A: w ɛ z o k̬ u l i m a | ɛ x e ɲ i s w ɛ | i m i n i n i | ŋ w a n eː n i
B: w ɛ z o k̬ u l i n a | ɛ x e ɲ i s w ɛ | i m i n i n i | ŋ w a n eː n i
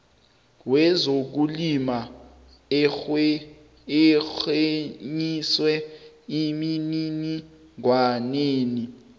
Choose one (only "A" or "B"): A